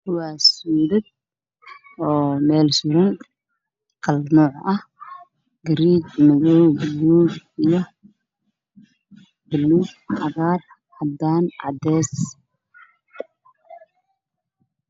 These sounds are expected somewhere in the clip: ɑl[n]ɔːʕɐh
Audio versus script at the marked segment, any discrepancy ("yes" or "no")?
no